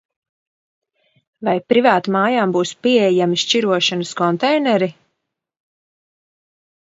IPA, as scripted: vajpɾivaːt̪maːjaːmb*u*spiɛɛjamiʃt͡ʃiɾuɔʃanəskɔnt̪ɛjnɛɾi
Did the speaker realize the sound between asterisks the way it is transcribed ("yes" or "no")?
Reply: no